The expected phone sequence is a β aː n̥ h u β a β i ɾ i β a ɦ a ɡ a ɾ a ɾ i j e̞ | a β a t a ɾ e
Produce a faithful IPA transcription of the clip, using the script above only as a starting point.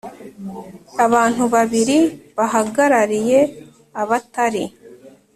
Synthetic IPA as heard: a β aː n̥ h u β a β i ɾ i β a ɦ a ɡ a ɾ a ɾ i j e̞ | a β a t a ɾ i